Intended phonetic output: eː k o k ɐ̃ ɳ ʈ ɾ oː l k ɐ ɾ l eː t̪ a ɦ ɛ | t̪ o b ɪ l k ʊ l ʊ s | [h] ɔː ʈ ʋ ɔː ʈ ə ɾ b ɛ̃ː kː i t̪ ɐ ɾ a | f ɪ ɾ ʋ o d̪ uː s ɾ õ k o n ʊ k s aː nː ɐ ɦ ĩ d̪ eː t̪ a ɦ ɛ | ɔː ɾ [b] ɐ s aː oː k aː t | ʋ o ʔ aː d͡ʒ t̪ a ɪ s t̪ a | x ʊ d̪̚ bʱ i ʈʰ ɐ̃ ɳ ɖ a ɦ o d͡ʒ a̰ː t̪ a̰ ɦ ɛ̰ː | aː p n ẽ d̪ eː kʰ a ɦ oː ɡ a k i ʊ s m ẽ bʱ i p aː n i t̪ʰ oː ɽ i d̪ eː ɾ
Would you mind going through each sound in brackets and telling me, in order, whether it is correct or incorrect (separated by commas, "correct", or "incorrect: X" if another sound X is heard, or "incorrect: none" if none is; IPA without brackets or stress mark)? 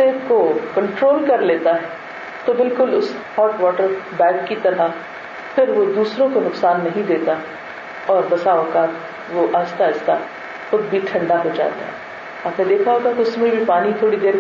correct, correct